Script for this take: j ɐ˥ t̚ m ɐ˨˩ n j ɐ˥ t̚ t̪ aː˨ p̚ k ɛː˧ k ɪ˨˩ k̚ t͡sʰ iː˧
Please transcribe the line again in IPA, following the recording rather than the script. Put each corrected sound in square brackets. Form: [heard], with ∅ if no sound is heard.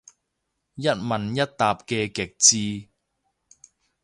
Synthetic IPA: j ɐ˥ t̚ m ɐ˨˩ n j ɐ˥ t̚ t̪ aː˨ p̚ k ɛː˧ k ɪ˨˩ k̚ [t͡s] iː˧